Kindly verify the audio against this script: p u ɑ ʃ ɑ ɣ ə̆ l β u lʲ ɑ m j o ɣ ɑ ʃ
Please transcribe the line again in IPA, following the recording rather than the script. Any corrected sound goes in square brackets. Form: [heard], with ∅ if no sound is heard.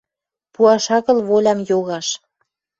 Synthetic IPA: p u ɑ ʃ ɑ ɣ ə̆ l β [o] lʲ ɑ m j o ɣ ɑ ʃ